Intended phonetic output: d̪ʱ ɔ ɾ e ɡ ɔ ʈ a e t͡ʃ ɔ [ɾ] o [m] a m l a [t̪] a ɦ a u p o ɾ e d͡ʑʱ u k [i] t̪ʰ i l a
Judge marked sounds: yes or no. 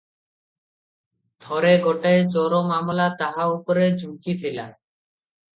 yes, yes, yes, yes

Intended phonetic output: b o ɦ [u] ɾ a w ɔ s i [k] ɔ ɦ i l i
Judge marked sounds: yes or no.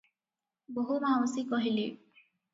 yes, yes

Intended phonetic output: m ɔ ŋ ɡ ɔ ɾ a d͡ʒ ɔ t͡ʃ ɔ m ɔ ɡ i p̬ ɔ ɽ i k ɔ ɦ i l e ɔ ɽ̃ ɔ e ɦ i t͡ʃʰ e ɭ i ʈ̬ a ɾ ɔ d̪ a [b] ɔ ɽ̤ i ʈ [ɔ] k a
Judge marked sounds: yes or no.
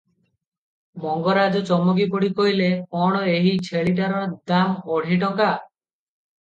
no, yes

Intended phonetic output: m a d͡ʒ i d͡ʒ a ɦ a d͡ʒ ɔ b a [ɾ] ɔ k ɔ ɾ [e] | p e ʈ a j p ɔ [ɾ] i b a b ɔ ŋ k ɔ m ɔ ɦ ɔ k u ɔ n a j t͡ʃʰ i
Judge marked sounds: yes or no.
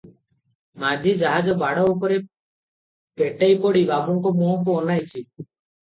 no, yes, no

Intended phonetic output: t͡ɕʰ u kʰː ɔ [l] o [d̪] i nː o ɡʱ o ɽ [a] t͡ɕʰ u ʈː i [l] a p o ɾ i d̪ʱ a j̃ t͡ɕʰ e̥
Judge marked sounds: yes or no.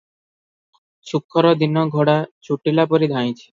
no, yes, yes, yes

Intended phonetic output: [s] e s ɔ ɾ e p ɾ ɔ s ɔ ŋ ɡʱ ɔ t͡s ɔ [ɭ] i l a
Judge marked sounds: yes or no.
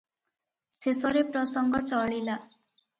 yes, yes

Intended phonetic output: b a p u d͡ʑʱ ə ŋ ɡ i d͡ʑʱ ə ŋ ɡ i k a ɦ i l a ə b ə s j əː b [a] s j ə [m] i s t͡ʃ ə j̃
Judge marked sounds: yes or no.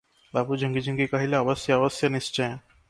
no, no

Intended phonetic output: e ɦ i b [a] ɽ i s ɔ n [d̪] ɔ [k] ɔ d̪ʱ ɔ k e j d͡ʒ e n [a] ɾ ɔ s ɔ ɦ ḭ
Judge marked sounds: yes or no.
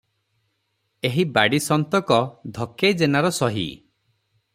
yes, no, yes, yes

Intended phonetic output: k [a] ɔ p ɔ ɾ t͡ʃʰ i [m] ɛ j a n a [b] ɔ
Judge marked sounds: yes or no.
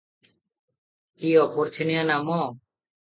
no, no, no

